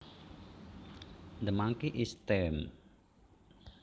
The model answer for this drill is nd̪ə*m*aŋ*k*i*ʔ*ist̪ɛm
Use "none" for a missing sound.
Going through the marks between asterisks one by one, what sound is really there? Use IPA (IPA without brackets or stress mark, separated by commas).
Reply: m, k, ʔ